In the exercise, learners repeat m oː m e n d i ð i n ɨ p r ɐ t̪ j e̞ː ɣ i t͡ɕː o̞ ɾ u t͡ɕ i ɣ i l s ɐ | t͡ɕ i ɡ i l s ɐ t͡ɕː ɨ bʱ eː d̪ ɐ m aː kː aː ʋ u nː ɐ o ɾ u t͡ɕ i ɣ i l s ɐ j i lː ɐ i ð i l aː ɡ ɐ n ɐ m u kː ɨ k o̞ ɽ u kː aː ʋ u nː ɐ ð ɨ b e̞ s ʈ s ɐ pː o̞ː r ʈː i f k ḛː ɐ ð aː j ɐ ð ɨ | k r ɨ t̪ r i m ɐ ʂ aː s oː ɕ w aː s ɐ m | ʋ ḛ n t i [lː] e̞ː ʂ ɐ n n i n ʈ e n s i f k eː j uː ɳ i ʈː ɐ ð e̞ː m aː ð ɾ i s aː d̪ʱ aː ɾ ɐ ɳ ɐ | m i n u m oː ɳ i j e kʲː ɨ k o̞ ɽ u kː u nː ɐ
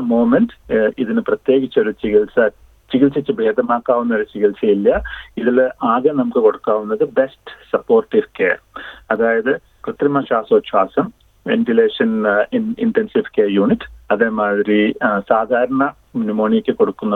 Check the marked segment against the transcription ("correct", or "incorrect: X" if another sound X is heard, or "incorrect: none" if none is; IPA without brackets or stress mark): incorrect: l